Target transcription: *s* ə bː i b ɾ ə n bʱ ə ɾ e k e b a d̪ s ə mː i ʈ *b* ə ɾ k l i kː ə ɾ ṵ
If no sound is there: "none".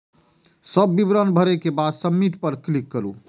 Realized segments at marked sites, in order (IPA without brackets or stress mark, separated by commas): s, p